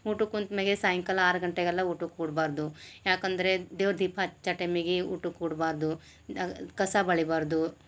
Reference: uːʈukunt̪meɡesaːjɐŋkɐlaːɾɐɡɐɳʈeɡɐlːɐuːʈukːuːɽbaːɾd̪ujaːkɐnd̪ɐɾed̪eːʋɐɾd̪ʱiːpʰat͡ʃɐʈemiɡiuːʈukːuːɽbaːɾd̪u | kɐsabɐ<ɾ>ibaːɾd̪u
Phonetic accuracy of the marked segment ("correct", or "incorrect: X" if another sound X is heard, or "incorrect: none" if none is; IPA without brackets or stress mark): incorrect: ɭ